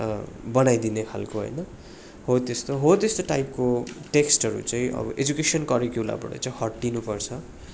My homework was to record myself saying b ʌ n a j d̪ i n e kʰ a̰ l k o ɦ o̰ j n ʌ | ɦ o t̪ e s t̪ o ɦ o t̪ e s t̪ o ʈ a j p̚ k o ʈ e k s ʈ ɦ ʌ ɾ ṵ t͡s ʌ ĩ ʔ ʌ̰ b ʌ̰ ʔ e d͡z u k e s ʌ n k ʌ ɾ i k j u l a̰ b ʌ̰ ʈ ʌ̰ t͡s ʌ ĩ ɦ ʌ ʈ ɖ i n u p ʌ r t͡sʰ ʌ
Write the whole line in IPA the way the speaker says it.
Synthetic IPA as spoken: b ʌ n a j d̪ i n e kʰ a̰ l k o ɦ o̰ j n ʌ | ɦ o t̪ e s t̪ o ɦ o t̪ e s t̪ o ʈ a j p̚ k o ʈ e k s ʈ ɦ ʌ ɾ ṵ t͡s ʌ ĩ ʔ ʌ̰ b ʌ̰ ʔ e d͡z u k e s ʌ n k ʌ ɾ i k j u l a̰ b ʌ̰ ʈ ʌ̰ t͡s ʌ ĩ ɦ ʌ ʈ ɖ i n u p ʌ r t͡sʰ ʌ